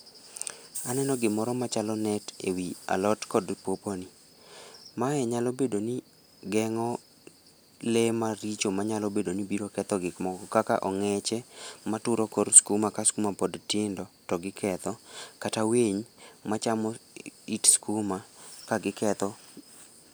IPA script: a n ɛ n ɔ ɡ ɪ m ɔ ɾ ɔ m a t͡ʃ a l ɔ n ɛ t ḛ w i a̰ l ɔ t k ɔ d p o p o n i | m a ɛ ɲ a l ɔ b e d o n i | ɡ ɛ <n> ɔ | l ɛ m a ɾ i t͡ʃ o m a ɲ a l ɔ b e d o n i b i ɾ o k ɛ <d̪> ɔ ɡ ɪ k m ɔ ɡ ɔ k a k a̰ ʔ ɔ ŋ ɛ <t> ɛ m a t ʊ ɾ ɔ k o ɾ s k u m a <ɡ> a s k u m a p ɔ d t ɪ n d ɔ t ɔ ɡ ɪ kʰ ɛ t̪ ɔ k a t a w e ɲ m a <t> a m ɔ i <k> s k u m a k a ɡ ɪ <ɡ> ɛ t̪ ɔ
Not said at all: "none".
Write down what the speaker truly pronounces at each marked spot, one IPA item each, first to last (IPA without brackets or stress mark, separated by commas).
ŋ, t̪, t͡ʃ, k, t͡ʃ, t, k